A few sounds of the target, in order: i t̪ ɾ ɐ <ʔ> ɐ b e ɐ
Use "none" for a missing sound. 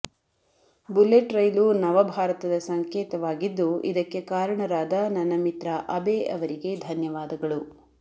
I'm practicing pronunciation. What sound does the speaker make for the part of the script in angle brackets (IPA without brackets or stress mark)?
ʔ